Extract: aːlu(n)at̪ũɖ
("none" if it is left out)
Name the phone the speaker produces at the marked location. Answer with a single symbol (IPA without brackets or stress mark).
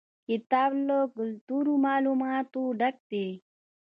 m